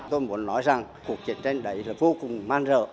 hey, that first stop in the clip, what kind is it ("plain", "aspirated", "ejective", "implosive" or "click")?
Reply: plain